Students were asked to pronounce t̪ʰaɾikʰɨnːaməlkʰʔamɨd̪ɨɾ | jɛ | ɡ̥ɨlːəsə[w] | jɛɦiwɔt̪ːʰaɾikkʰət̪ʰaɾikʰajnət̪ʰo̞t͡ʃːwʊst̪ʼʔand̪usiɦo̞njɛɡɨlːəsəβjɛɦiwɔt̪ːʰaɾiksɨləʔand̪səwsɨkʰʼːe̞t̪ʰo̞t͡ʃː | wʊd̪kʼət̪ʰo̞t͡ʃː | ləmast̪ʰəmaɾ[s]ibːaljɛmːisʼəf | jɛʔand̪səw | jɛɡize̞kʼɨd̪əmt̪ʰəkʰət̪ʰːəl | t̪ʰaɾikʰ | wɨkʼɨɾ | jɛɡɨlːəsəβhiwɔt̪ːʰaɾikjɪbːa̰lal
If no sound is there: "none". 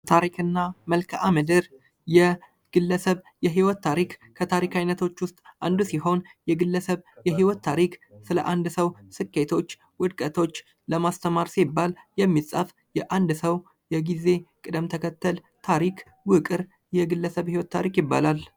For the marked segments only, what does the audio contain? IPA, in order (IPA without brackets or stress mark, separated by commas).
β, s